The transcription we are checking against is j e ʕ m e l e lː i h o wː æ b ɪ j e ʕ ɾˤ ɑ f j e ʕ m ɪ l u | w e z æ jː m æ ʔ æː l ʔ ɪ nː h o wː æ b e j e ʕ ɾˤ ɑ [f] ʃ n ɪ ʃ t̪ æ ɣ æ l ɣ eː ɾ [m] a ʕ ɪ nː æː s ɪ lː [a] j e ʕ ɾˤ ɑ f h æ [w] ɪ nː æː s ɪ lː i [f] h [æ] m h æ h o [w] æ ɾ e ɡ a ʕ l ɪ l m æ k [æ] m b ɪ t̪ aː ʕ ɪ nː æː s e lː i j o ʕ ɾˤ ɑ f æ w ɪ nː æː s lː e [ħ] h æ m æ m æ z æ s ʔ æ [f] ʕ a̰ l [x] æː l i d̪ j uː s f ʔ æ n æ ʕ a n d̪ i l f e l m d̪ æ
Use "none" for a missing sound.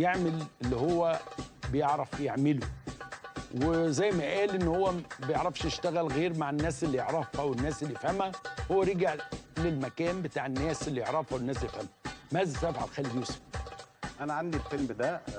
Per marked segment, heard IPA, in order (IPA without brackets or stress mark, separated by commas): f, m, i, w, f, æ, wː, æː, f, f, x